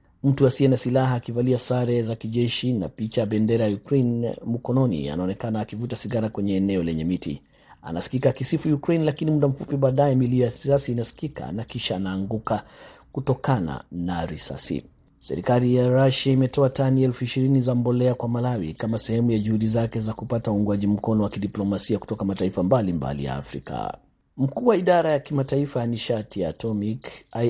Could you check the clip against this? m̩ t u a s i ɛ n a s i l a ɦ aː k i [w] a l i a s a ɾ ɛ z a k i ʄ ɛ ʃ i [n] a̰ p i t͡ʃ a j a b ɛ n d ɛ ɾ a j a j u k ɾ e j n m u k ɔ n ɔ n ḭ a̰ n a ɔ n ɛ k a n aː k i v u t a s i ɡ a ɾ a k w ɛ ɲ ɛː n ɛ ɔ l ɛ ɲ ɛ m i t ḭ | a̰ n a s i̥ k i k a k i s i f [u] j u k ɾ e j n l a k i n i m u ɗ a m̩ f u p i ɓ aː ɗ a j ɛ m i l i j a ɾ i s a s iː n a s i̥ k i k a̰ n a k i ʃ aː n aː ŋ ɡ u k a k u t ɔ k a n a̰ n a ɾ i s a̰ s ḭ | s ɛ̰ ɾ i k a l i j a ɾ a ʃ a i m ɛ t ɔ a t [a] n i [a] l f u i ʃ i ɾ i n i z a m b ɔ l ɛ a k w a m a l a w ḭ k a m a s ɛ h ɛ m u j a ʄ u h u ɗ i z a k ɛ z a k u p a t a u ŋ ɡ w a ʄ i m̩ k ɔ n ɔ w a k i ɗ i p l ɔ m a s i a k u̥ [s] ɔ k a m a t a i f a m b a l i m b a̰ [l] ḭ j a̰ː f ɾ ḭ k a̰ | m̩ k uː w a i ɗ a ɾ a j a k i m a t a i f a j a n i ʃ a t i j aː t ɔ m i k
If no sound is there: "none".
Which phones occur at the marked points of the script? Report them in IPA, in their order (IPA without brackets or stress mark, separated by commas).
v, n, u, a, ɛ, t, l